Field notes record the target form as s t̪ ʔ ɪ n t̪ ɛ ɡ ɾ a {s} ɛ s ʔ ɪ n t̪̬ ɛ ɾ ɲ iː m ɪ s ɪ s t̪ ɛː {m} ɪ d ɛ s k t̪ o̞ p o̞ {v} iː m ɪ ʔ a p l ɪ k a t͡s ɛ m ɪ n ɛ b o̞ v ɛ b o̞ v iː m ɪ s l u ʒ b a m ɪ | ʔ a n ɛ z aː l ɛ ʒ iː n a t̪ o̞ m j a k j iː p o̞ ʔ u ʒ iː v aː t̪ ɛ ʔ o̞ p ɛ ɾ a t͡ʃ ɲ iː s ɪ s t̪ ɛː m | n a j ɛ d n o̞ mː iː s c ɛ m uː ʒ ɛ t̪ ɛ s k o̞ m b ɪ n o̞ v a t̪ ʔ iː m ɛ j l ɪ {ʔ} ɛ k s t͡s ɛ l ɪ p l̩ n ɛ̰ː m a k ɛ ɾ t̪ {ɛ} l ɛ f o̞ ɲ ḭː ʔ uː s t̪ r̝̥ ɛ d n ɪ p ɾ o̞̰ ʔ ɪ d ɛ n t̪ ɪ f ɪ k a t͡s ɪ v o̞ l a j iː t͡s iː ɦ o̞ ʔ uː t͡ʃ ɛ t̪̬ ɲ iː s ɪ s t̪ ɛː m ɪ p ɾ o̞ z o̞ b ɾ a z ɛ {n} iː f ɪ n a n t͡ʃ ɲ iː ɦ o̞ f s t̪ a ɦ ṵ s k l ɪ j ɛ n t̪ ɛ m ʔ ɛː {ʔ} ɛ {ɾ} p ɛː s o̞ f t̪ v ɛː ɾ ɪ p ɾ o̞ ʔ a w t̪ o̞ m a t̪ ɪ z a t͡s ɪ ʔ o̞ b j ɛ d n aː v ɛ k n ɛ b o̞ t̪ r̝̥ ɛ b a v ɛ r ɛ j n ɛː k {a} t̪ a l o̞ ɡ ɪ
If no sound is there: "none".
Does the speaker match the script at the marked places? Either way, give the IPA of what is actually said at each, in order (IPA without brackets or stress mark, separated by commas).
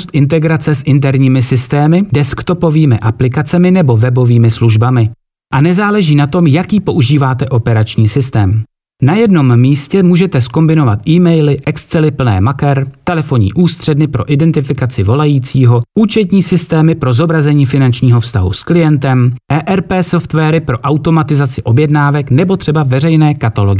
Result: t͡s, m, v, ʔ, ɛ, ɲ, ʔ, ɾ, a